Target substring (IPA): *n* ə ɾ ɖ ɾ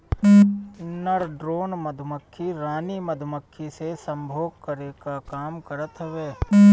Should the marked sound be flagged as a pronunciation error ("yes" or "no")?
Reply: no